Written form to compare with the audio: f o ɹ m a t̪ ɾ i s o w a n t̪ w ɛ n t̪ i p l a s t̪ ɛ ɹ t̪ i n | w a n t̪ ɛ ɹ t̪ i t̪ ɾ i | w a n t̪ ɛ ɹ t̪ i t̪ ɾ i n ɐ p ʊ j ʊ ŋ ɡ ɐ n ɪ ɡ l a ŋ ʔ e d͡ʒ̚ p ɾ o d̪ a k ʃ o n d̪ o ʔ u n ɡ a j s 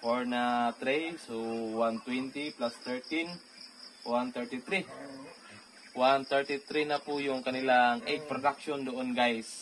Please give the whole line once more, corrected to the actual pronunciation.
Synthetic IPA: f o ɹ n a t̪ ɾ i s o w a n t̪ w ɛ n t̪ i p l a s t̪ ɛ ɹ t̪ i n | w a n t̪ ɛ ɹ t̪ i t̪ ɾ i | w a n t̪ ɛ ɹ t̪ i t̪ ɾ i n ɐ p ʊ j ʊ ŋ k ɐ n ɪ l a ŋ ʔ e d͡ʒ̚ p ɾ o d̪ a k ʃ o n d̪ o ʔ o n ɡ a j s